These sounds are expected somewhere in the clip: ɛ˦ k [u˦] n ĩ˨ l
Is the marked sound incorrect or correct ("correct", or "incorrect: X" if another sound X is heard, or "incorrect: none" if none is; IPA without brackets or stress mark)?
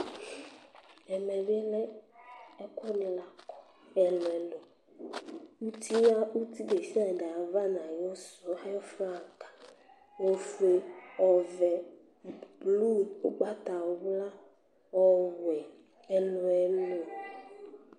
incorrect: ɔ˦